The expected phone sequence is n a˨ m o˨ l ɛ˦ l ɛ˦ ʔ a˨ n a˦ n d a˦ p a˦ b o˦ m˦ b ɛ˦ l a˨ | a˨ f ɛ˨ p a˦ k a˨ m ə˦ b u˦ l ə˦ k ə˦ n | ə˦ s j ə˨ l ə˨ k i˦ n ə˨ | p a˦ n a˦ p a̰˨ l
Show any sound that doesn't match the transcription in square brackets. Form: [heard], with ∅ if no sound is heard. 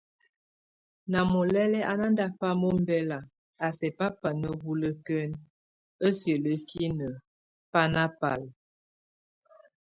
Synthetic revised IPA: n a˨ m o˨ l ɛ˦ l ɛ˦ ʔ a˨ n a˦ n d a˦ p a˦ [m] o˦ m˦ b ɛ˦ l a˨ | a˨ [s] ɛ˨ p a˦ [p] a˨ [n] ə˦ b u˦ l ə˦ k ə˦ n | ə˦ s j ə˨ l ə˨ k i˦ n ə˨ | p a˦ n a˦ p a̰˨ l